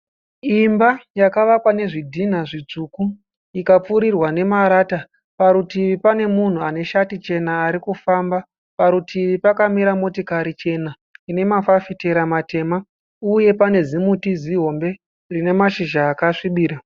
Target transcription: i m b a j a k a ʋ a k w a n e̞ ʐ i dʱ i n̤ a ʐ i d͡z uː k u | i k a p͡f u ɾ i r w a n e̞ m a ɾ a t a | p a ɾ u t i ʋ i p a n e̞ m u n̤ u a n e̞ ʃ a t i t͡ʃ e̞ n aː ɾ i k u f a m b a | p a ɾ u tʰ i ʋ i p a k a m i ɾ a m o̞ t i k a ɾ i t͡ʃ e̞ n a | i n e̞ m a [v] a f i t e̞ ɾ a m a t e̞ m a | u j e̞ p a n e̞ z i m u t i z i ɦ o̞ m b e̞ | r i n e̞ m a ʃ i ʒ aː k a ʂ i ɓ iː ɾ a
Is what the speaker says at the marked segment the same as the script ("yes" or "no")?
no